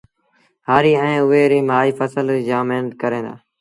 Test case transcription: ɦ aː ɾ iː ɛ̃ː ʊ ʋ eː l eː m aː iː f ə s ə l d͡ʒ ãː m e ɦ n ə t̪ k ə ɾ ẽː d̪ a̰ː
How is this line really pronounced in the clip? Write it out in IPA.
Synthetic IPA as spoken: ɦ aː ɾ iː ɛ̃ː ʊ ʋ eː ɾ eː m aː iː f ə s ə l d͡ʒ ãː m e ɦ n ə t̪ k ə ɾ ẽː d̪ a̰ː

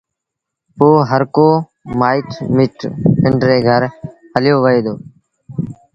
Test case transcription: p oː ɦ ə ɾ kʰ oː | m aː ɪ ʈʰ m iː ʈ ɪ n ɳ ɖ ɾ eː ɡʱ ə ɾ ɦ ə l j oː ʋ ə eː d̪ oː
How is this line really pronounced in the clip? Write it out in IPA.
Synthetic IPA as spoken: p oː ɦ ə ɾ k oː | m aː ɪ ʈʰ m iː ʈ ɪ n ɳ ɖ ɾ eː ɡʱ ə ɾ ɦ ə l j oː ʋ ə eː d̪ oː

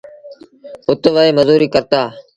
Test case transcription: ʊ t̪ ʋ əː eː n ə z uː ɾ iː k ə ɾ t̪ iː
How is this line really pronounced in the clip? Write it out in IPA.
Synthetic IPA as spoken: ʊ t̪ ʋ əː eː m ə z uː ɾ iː k ə ɾ t̪ aː

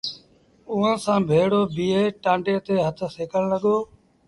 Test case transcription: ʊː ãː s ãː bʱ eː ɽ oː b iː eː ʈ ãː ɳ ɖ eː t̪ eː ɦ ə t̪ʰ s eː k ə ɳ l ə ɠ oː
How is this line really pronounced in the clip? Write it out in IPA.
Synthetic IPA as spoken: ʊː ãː s ãː bʱ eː ɽ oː b iː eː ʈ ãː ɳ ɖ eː t̪ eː ɦ ə t̪ʰ s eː k ə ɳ l ə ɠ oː

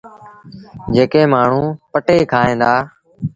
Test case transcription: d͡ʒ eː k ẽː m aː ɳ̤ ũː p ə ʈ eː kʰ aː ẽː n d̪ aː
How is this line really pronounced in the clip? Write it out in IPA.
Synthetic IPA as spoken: d͡ʒ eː k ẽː m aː ɳ̤ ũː p ə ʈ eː kʰ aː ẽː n d̪ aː

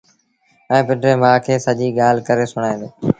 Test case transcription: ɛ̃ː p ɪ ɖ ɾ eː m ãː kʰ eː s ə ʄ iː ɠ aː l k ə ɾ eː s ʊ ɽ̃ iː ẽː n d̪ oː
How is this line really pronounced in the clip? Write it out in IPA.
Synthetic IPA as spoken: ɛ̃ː p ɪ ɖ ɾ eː m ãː kʰ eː s ə ʄ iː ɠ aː l k ə ɾ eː s ʊ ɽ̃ aː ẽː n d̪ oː

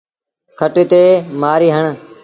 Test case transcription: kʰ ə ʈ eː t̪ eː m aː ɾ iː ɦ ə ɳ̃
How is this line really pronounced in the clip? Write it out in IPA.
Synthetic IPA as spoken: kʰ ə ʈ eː t̪ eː m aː ɾ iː ɦ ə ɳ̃

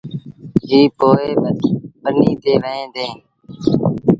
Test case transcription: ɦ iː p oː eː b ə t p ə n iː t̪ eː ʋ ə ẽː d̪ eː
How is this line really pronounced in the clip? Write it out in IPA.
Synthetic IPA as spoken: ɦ iː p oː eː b ə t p ə n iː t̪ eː ʋ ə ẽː d̪ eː

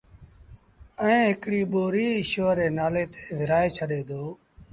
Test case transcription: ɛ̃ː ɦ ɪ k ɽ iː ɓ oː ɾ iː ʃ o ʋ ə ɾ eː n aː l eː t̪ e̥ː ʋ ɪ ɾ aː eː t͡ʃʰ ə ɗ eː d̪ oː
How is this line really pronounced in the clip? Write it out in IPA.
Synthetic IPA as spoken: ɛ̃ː ɦ ɪ k ɽ iː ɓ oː ɾ iː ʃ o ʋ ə ɾ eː n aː l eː t̪ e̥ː ʋ ɪ ɾ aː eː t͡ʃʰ ə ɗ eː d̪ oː

